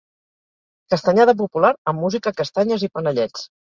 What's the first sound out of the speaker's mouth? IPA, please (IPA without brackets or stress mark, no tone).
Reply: k